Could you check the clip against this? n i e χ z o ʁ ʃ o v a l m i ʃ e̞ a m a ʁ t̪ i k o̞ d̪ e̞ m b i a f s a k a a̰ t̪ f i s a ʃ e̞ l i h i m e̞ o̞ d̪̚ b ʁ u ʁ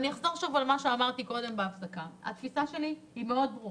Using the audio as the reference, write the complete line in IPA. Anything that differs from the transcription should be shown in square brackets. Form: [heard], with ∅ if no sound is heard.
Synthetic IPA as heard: n i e χ z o ʁ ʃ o v a l m [a] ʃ e̞ a m a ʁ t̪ i k o̞ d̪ e̞ m b [e] a f s a k a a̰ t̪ f i s a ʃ e̞ l i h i m e̞ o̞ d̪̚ b ʁ u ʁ